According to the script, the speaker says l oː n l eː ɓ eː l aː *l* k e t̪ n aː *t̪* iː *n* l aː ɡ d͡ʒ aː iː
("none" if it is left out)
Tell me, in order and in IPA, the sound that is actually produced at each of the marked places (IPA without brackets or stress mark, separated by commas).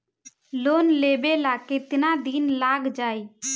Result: none, d̪, n